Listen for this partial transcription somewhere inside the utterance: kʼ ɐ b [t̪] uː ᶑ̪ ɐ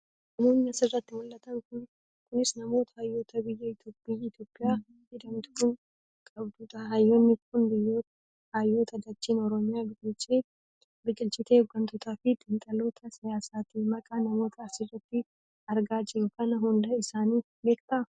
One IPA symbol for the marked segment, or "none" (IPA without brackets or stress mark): d̪